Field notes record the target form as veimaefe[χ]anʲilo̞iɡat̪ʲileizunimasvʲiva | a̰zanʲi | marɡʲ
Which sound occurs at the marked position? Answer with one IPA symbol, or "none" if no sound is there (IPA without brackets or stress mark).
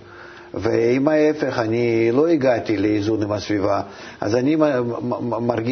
χ